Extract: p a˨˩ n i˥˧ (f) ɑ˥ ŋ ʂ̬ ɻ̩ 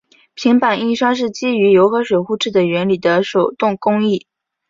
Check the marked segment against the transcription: incorrect: ʂ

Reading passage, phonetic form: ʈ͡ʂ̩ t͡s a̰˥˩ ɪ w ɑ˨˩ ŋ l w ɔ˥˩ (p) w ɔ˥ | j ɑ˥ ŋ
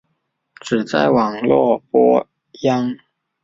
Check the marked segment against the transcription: correct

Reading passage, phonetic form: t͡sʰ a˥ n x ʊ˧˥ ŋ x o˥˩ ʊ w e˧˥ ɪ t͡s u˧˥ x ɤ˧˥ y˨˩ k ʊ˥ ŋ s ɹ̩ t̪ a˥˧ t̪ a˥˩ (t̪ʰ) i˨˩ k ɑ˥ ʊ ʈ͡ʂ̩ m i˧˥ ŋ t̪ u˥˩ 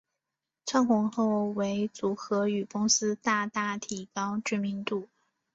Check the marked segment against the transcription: correct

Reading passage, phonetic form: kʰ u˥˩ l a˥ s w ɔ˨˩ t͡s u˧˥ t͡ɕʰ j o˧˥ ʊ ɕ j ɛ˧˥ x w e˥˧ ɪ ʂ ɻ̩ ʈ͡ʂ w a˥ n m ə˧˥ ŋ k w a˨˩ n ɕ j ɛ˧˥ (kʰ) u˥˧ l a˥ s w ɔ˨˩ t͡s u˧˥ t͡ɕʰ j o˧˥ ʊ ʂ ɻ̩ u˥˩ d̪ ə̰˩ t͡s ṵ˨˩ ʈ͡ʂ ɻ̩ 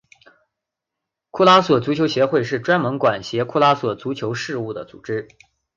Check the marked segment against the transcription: correct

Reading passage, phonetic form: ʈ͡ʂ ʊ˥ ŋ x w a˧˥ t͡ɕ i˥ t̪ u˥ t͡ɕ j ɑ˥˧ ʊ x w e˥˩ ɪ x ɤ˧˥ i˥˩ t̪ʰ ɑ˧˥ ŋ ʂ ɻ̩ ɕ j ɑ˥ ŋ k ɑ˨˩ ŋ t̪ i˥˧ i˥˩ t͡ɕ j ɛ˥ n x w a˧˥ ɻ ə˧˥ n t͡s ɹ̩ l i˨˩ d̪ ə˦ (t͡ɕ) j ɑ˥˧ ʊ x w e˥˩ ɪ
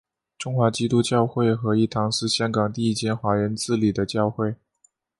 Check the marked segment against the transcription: correct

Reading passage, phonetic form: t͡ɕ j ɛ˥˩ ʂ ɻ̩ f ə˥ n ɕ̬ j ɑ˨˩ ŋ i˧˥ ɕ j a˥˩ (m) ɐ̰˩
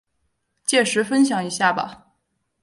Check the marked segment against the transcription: incorrect: b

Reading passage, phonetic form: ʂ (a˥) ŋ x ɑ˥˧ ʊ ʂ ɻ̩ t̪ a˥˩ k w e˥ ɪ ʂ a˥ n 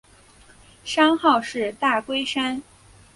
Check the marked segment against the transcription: incorrect: ɑ˥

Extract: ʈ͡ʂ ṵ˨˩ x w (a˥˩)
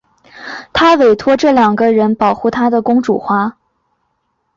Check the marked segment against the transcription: incorrect: a˥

